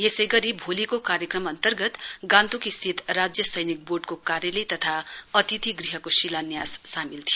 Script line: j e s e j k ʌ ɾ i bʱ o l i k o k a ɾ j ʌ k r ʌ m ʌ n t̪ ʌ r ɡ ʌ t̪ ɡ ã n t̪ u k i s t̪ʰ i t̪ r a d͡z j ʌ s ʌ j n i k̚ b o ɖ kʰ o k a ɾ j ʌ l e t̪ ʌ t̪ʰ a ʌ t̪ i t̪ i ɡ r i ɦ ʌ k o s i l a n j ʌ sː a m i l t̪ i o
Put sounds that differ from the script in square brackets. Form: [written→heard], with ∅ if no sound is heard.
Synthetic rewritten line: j e s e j [k→ɡ] ʌ ɾ i bʱ o l i k o k a ɾ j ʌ k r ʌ m ʌ n t̪ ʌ r ɡ ʌ t̪ ɡ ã n t̪ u k i s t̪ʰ i t̪ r a d͡z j ʌ s ʌ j n i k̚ b o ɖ [kʰ→k] o k a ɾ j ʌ l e t̪ ʌ t̪ʰ a ʌ t̪ i t̪ i ɡ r i ɦ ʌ k o s i l a n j [ʌ→a] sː a m i l [t̪→t̪ʰ] i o